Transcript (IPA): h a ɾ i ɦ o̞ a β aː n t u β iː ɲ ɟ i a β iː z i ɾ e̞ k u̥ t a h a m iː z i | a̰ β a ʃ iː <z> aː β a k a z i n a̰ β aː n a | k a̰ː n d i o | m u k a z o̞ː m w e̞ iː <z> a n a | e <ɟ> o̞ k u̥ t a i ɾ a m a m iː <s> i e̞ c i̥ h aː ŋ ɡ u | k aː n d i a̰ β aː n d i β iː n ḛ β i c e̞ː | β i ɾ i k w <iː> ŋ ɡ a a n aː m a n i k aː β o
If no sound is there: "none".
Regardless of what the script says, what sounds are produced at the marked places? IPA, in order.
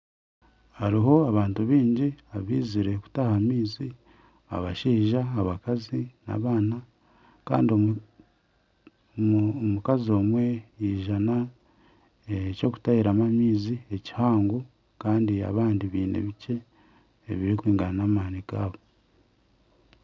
ʒ, ʒ, c, z, iː

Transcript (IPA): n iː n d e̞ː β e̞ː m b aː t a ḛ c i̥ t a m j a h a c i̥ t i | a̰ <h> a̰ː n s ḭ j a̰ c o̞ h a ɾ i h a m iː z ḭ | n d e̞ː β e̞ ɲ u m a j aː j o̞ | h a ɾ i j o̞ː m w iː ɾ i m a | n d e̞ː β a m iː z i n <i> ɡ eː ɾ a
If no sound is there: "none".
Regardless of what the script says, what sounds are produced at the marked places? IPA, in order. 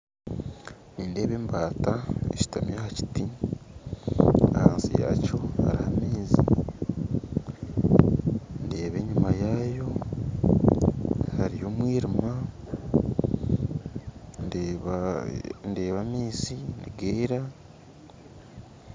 h, i

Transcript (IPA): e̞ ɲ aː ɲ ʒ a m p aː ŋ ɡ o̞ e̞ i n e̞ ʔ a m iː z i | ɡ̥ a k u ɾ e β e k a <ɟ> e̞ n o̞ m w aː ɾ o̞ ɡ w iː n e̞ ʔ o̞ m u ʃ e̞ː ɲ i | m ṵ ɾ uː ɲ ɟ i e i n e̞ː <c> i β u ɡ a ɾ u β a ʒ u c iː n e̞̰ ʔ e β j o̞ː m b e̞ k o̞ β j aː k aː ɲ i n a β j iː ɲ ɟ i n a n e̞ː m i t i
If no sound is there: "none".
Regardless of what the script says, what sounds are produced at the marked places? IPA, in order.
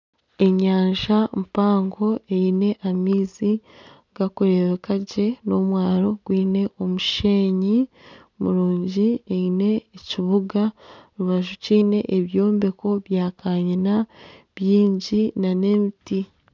ɟ, c

